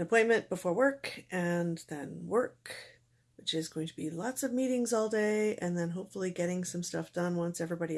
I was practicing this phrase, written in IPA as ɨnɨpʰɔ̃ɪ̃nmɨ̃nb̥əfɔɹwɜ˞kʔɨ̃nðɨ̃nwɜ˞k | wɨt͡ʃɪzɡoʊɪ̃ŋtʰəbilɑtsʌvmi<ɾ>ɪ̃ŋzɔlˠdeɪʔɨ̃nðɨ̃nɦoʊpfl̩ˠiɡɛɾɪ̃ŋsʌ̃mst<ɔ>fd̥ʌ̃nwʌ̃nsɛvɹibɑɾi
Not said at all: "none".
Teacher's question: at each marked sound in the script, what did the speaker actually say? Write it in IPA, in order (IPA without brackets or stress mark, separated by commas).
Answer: ɾ, ʌ